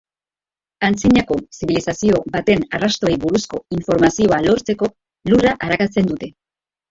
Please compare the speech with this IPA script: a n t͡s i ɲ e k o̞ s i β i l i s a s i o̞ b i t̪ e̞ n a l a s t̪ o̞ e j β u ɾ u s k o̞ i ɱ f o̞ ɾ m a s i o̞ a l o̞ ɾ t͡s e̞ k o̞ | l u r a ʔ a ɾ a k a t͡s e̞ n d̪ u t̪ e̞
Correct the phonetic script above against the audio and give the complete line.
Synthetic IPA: a n t͡s i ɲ a k o̞ s i β i l i s a s i o̞ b a t̪ e̞ n a r a s t̪ o̞ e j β u ɾ u s k o̞ i ɱ f o̞ ɾ m a s i o̞ a l o̞ ɾ t͡s e̞ k o̞ | l u r a ʔ a ɾ a k a t͡s e̞ n d̪ u t̪ e̞